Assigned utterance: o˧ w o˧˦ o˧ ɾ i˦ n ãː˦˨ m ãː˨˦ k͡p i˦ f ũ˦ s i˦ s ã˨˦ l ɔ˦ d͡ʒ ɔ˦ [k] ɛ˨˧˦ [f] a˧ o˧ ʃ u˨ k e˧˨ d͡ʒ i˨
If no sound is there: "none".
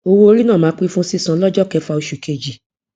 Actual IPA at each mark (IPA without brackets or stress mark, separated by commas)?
k, f